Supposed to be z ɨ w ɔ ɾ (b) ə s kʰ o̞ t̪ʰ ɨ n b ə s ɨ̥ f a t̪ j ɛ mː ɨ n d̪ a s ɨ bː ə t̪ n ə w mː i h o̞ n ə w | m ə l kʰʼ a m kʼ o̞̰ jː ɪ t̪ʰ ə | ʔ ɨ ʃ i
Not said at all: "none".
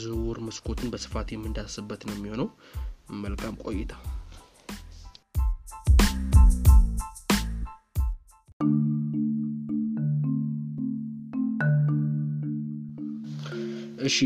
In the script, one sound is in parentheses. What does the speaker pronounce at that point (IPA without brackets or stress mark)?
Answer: m